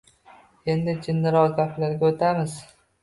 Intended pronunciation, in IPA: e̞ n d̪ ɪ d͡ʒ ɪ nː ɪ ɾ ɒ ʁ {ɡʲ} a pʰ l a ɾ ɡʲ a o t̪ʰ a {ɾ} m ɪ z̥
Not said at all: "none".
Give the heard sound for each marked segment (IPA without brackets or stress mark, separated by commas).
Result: ɡʲ, none